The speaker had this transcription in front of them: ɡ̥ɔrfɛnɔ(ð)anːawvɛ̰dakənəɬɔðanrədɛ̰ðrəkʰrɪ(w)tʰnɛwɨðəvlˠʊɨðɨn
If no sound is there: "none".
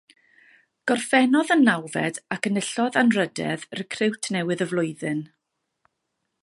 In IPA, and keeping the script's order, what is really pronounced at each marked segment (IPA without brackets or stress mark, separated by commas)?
ð, w